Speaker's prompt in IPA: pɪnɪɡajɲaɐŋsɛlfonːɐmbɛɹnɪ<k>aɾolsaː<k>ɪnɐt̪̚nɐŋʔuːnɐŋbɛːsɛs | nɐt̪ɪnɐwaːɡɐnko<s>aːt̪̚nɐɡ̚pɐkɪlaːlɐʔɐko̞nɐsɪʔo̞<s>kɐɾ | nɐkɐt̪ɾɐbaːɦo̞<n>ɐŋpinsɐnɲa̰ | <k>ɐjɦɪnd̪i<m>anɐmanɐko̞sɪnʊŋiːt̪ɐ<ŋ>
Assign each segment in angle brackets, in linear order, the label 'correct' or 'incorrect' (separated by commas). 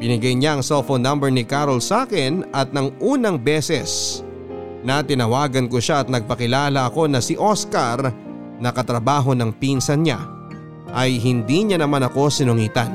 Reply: correct, correct, incorrect, correct, correct, incorrect, incorrect, incorrect